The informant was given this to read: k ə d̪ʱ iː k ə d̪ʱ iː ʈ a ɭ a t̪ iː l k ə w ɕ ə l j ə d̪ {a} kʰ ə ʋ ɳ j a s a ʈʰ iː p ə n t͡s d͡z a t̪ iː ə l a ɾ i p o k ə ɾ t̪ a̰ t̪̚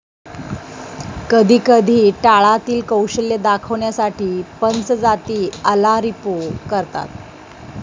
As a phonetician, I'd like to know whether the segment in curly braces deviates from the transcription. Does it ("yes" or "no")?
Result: no